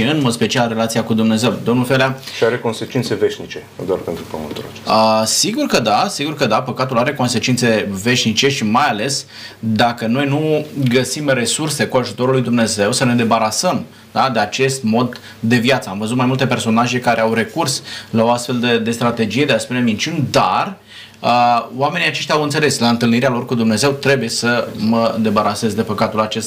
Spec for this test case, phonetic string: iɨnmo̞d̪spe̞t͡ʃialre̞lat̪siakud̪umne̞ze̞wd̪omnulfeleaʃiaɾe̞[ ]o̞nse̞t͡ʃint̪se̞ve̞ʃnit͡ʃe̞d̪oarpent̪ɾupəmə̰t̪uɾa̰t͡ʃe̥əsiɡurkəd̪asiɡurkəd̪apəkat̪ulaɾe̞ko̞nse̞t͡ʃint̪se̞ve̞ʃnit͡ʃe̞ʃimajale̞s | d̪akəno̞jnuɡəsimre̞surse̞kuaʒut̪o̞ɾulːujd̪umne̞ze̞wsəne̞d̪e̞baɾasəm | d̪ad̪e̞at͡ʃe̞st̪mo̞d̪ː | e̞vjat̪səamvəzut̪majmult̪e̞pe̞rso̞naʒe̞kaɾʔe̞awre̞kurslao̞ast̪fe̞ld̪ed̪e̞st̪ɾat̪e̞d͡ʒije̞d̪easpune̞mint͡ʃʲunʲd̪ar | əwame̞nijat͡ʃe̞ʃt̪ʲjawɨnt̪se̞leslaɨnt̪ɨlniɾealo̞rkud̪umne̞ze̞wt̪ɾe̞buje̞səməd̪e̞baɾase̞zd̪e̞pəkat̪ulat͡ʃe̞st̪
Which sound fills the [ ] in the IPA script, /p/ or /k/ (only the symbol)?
k